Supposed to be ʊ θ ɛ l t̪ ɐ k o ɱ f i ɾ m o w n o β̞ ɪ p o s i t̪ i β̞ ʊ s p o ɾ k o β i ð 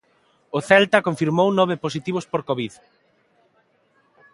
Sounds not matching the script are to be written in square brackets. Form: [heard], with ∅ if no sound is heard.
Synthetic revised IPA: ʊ θ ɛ l t̪ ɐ k o ɱ f i ɾ m o w n [ɔ] β̞ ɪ p o s i t̪ i β̞ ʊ s p o ɾ k o β i ð